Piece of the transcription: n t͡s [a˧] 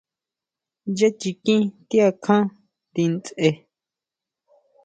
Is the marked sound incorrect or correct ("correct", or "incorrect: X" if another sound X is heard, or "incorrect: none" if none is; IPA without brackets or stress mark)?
incorrect: e˧